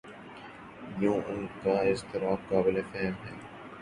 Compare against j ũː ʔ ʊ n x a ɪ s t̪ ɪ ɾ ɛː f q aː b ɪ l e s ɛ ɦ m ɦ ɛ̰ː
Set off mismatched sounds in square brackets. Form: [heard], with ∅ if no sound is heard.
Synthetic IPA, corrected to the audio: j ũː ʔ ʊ n [k] a ɪ s t̪ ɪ ɾ [aː] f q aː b ɪ l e [f] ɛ ɦ m ɦ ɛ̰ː